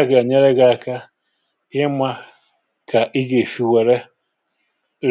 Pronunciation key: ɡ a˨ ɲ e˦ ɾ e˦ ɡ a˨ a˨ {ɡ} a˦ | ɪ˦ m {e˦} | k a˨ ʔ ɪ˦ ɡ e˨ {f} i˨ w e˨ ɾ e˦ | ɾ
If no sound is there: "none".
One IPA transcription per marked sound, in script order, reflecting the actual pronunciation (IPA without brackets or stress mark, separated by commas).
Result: k, a˦, f